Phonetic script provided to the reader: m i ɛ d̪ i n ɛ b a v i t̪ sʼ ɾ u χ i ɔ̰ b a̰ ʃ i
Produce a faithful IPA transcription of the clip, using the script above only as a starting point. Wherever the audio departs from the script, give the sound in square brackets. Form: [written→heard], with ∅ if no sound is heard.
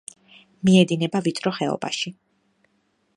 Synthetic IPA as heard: m i ɛ d̪ i n ɛ b a v i t̪ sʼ ɾ [u→ɔ] χ [i→ɛ] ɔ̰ b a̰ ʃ i